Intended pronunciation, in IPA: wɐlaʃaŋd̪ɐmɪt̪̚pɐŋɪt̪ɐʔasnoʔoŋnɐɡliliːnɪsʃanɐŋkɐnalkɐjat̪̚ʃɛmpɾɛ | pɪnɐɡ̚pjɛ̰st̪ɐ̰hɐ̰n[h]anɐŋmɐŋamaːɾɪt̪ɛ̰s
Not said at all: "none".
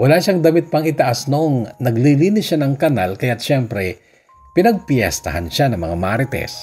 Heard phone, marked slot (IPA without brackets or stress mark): ʃ